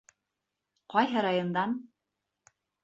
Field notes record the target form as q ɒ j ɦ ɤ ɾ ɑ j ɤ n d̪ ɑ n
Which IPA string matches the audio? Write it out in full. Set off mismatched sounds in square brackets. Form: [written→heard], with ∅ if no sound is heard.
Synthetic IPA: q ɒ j ɦ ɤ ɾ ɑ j [ɤ→o] n d̪ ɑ n